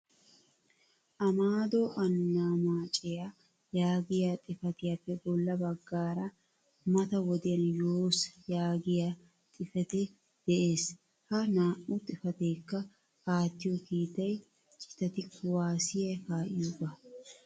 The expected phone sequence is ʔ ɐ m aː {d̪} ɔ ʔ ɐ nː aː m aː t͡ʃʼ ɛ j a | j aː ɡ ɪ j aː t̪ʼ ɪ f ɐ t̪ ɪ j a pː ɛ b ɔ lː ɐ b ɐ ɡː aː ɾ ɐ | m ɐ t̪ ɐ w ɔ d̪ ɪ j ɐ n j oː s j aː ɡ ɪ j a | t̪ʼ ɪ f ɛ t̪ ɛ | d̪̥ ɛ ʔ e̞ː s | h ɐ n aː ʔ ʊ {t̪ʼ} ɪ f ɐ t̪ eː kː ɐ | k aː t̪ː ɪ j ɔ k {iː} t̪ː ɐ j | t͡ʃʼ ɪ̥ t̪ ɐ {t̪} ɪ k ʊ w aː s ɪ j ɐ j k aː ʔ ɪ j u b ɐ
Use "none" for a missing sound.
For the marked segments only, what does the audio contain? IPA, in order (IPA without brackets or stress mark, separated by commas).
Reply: d̪, t̪ʼ, iː, t̪